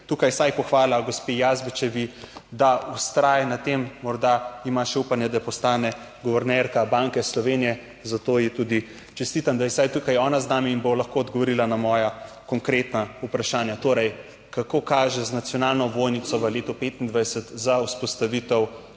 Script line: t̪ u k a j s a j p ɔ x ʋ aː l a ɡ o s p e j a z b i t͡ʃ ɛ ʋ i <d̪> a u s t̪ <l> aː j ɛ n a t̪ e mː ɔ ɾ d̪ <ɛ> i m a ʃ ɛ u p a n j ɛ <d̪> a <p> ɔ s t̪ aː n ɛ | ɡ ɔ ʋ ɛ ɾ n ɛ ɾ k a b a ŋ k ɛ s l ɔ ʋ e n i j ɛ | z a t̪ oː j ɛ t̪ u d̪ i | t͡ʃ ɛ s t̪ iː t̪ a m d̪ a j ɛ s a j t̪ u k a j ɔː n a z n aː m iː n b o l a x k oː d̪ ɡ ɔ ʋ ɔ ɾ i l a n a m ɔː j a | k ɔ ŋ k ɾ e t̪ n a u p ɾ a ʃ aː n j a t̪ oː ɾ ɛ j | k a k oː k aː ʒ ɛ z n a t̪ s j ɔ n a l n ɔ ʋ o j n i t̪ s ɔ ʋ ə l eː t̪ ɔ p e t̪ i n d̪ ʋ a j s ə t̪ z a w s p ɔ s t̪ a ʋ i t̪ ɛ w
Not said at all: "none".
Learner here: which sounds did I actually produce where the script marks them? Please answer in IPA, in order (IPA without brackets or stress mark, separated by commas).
d̪, ɾ, a, d̪, p